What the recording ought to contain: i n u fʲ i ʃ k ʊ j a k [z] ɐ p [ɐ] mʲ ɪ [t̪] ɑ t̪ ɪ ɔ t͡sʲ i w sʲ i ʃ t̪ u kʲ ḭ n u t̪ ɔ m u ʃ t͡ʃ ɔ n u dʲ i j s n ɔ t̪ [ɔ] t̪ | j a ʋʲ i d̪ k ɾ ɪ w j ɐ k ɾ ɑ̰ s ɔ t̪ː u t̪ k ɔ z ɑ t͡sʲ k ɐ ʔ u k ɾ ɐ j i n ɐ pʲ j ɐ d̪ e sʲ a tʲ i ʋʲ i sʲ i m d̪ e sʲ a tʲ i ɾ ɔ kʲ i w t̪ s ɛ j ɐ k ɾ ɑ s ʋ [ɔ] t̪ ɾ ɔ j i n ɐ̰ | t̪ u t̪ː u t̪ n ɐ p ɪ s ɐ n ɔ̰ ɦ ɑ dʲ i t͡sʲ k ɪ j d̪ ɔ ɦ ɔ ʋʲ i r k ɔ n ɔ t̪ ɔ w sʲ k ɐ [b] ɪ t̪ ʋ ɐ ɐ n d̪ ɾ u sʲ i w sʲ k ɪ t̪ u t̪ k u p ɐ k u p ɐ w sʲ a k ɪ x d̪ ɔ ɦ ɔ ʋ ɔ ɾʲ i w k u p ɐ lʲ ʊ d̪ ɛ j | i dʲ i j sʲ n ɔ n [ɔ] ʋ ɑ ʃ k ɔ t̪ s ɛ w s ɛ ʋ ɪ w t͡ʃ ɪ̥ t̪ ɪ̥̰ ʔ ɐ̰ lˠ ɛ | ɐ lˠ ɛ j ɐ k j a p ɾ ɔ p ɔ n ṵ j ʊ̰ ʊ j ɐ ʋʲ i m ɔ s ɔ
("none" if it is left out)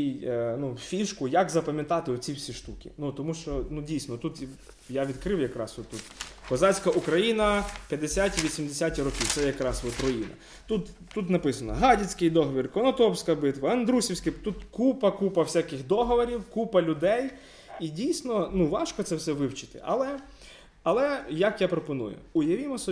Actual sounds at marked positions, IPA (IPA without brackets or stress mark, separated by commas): z, ɐ, t̪, u, ɔ, b, u